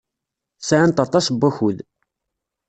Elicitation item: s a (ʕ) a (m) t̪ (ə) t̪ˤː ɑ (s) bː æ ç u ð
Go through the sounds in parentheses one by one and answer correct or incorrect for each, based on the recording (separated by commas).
correct, incorrect, incorrect, correct